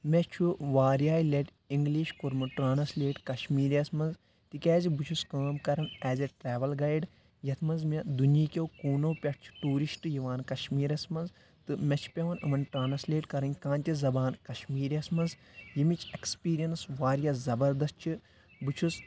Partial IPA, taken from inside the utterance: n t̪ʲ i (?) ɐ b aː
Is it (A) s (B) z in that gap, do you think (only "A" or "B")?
B